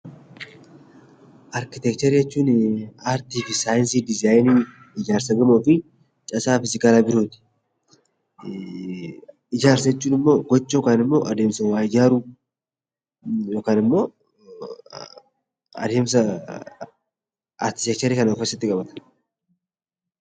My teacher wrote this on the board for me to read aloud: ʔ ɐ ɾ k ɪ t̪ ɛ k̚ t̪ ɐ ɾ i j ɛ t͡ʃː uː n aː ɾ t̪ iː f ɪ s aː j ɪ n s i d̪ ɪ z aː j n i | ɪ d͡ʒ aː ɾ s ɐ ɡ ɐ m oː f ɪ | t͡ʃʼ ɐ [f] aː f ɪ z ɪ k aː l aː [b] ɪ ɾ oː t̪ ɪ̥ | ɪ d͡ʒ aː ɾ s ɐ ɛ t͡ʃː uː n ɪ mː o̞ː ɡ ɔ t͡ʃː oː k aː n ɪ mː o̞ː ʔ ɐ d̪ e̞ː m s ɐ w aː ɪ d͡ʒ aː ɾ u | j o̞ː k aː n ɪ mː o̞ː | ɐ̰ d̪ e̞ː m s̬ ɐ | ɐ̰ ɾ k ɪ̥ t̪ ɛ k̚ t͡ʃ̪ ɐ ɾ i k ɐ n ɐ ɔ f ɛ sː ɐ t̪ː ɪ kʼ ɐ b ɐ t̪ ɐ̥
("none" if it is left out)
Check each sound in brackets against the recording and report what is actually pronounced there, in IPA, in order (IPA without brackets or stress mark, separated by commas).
s, b